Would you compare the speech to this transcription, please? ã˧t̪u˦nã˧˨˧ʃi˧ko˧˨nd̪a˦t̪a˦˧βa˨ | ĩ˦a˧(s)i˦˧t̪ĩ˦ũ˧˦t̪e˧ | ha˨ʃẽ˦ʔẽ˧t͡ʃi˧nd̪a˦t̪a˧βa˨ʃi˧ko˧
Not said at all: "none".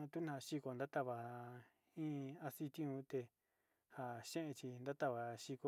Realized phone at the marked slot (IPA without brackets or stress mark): s